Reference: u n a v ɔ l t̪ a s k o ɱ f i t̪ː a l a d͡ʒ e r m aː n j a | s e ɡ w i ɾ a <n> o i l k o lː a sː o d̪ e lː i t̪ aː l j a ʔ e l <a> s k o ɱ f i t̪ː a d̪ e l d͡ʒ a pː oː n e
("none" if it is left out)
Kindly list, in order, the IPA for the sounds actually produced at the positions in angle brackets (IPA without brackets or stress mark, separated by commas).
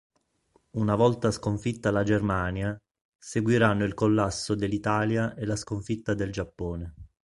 nː, a